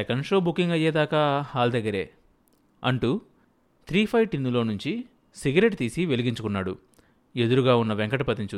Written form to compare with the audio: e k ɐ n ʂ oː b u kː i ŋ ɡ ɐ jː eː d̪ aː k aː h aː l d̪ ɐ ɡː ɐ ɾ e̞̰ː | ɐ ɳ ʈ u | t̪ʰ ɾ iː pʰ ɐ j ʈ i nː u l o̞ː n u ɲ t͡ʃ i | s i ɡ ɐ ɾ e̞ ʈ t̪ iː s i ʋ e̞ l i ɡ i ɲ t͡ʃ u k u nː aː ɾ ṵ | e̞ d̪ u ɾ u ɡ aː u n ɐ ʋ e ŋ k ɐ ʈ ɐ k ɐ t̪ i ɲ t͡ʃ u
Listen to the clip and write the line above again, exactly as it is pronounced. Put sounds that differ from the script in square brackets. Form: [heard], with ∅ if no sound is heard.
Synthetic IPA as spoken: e k ɐ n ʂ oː b u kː i ŋ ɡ ɐ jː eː d̪ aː k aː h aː l d̪ ɐ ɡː ɐ ɾ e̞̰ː | ɐ ɳ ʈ u | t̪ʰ ɾ iː pʰ ɐ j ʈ i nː u l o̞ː n u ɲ t͡ʃ i | s i ɡ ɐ ɾ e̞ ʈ t̪ iː s i ʋ e̞ l i ɡ i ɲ t͡ʃ u k u nː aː [ɽ] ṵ | e̞ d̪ u ɾ u ɡ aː u [nː] ɐ ʋ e ŋ k ɐ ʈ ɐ [p] ɐ t̪ i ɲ t͡ʃ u